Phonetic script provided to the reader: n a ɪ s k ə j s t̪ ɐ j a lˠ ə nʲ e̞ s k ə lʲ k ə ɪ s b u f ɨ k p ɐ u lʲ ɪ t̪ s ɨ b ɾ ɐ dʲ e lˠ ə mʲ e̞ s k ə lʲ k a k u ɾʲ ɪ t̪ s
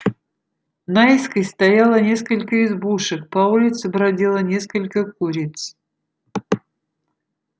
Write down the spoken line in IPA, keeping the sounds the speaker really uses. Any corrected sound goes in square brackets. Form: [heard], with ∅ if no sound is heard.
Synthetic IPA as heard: n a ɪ s k ə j s t̪ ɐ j a lˠ ə nʲ e̞ s k ə lʲ k ə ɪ [z] b u [ʂ] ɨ k p ɐ u lʲ ɪ t̪ s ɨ b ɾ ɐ dʲ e lˠ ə [nʲ] e̞ s k ə lʲ k [ə] k u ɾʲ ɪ t̪ s